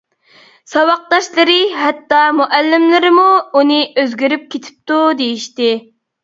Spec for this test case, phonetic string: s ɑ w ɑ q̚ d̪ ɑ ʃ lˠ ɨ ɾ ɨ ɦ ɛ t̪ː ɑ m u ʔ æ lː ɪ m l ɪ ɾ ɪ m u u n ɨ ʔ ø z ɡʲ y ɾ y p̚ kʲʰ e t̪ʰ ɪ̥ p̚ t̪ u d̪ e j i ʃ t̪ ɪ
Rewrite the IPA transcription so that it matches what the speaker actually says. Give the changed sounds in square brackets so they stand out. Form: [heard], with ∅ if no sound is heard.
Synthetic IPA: s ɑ w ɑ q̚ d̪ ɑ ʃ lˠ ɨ ɾ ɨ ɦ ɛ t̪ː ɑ m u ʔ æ lː ɪ m l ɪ ɾ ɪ m u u n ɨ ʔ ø z ɡʲ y ɾ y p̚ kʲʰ e t̪ʰ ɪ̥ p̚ t̪ u d̪ e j i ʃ t̪ ɪ